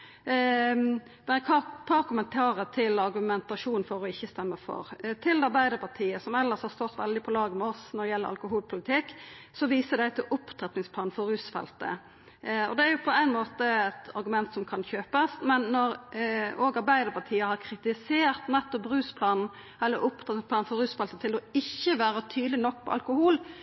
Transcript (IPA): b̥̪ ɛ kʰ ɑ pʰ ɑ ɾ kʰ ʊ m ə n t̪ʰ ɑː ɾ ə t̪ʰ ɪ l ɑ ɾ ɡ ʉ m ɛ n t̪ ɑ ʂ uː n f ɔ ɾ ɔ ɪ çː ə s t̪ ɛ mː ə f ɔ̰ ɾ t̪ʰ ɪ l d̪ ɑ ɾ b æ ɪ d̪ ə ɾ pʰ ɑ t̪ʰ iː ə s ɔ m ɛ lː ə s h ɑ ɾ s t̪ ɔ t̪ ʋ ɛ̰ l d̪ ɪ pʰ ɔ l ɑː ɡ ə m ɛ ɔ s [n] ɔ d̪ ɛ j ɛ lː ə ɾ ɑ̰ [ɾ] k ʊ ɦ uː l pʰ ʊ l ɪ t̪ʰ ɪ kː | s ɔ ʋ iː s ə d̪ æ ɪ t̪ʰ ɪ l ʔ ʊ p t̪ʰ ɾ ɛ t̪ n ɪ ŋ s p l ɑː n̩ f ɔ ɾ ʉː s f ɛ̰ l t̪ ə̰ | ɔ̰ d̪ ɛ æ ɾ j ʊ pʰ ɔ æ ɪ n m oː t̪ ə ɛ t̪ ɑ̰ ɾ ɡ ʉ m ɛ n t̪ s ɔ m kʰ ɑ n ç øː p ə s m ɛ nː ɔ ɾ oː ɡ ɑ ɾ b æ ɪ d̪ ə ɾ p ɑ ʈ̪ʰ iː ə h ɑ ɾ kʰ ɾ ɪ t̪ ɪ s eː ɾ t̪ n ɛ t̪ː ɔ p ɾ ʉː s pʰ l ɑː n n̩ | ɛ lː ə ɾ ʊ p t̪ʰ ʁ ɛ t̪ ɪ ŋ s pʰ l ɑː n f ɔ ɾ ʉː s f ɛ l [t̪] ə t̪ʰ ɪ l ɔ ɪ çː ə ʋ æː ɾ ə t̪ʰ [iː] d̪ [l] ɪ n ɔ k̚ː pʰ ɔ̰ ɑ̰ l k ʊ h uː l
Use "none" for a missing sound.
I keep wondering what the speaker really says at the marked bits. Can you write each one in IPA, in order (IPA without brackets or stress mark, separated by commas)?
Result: n, l, t̪, yː, l